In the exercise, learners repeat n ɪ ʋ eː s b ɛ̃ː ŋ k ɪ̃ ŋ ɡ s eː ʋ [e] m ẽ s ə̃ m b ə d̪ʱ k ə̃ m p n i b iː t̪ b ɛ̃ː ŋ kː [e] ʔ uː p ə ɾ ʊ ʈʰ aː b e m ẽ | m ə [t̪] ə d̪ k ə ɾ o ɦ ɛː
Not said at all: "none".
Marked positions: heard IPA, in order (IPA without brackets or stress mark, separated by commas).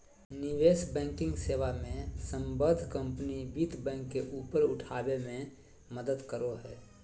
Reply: a, e, d̪